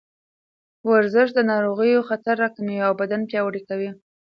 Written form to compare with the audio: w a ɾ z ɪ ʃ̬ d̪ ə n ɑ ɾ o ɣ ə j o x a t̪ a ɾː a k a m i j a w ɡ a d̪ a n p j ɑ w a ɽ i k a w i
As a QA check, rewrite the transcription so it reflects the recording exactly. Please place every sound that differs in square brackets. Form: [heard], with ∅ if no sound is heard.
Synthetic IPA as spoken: w a ɾ z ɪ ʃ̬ d̪ ə n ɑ ɾ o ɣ ə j o x a t̪ a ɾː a k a m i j a w [b] a d̪ a n p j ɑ w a ɽ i k a w i